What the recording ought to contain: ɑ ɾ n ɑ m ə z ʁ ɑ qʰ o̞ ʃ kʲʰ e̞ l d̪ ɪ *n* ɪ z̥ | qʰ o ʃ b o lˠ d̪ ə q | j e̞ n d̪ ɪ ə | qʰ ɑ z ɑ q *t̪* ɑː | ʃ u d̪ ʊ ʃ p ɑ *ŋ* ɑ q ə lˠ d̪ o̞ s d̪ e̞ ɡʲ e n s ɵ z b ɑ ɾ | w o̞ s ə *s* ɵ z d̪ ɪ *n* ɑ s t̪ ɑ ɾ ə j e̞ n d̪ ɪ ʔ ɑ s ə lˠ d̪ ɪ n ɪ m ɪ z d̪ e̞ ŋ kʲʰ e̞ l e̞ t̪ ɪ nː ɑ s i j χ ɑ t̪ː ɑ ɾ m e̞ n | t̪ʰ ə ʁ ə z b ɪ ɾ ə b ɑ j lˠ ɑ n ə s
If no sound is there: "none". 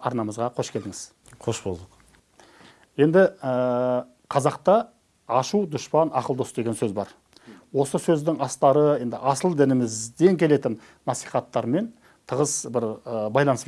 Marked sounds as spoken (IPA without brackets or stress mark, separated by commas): ŋ, t̪, n, s, ŋ